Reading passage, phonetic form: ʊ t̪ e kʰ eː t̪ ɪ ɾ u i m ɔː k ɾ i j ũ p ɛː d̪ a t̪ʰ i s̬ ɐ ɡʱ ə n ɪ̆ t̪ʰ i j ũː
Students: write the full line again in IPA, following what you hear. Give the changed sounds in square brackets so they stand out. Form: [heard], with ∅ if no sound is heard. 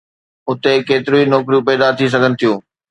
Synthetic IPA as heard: ʊ t̪ e [k] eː t̪ ɪ ɾ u i [n] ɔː k ɾ i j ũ p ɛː d̪ a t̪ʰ i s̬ ɐ ɡʱ ə n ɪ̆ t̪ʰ i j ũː